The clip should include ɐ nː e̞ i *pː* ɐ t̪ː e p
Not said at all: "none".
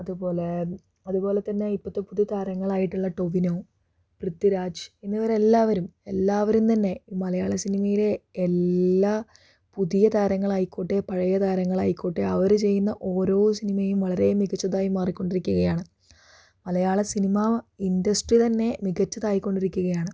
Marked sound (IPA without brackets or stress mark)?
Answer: pː